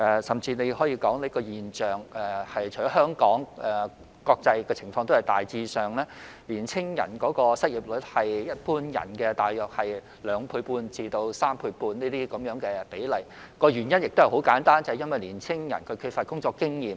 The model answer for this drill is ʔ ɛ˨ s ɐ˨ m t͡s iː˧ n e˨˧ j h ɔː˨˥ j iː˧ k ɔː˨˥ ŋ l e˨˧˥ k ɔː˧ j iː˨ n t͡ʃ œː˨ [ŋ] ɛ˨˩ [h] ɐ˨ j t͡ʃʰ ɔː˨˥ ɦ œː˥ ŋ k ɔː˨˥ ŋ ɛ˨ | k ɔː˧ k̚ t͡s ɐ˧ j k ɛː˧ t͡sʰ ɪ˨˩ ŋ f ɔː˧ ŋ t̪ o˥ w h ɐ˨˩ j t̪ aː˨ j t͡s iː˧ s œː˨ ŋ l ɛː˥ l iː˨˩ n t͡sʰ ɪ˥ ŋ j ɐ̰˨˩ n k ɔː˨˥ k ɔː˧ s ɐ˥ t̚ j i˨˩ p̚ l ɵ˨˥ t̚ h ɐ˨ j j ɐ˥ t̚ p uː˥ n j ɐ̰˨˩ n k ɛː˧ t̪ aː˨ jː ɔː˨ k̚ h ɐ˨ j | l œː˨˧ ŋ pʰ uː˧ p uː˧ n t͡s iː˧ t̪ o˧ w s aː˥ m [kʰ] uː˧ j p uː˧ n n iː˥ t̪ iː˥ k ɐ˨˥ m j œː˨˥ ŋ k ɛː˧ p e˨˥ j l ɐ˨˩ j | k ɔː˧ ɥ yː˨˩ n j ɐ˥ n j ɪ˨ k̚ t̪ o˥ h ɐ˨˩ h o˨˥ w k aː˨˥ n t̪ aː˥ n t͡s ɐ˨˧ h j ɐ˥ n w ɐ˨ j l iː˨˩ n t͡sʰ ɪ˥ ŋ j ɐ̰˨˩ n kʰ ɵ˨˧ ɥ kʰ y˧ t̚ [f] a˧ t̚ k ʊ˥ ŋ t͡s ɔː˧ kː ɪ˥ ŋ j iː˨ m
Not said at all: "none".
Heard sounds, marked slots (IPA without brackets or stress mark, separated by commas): ŋ, h, pʰ, f